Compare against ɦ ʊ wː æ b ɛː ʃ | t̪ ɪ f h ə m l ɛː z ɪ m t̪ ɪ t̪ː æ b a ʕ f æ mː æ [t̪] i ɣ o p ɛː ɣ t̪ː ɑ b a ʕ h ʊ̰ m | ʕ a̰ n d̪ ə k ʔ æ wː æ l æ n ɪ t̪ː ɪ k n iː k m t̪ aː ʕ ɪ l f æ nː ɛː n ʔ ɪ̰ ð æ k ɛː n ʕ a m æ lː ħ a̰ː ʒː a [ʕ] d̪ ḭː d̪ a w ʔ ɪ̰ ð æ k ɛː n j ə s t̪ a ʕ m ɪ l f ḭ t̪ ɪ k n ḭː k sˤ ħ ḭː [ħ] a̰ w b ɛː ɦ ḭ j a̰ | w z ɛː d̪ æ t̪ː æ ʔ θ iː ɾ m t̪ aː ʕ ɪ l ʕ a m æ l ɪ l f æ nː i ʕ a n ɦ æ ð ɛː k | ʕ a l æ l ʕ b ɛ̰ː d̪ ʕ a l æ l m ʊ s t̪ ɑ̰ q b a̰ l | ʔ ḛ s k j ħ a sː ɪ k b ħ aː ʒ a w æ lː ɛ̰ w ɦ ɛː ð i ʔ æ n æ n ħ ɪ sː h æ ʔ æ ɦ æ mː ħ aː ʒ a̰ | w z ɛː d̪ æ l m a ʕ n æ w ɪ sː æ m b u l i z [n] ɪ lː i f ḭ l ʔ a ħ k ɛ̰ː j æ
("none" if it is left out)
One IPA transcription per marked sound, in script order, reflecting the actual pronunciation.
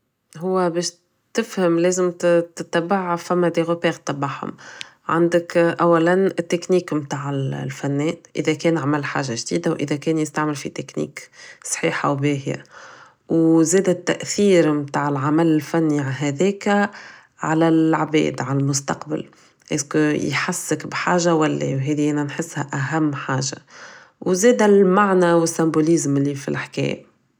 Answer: d̪, ʒ, ħ, m

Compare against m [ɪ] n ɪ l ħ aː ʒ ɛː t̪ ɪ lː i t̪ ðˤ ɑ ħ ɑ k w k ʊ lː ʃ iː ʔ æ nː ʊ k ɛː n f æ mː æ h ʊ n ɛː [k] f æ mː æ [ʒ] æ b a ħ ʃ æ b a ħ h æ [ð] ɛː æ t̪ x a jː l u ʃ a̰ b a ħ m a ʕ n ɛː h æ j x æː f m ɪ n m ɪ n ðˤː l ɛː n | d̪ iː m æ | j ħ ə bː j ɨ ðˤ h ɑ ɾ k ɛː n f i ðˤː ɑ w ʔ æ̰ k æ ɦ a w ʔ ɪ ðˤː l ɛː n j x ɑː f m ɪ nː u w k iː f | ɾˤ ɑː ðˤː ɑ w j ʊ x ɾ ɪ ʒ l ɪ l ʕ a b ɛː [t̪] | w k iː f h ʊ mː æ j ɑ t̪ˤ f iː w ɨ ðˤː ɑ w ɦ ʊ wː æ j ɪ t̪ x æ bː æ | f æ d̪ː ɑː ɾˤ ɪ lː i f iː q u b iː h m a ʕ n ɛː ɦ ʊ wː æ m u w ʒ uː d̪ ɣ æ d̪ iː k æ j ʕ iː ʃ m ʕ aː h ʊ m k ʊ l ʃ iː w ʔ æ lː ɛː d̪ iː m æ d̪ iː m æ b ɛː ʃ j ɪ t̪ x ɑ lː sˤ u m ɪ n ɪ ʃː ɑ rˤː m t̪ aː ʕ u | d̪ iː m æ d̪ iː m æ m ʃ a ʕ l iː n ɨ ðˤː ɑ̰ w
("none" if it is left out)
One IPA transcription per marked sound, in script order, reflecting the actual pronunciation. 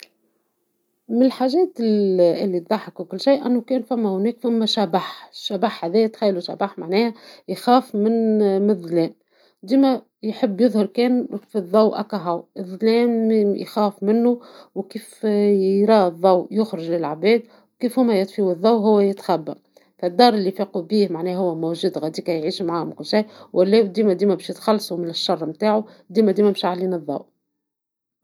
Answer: ɪ, k, ʃ, ð, d̪

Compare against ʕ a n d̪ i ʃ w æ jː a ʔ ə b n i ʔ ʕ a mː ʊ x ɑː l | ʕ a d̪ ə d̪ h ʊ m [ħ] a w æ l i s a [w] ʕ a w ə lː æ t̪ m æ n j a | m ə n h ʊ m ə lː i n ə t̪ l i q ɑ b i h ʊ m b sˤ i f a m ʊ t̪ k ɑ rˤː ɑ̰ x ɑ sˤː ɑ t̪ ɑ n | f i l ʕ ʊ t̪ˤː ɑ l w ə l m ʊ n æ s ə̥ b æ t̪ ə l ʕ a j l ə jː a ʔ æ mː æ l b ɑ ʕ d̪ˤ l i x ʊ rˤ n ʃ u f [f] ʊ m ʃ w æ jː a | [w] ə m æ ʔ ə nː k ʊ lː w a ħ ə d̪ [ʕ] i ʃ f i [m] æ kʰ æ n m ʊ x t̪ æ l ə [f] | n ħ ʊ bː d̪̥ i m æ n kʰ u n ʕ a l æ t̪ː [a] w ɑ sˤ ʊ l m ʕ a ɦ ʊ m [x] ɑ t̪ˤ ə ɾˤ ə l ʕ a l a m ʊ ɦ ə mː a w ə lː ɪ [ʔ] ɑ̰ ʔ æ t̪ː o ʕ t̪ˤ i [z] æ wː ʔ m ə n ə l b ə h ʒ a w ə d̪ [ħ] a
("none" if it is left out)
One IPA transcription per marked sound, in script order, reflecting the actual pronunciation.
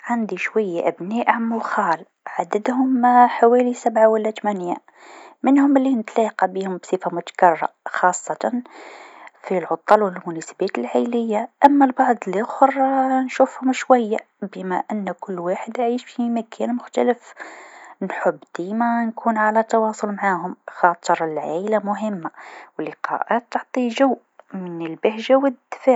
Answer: ħ, b, h, b, ʕ, m, f, ɑ, x, q, ʒ, f

